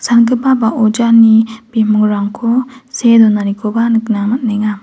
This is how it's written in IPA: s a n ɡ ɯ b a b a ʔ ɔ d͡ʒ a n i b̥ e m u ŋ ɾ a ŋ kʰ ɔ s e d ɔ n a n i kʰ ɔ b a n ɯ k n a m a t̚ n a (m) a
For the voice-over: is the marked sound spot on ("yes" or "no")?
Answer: no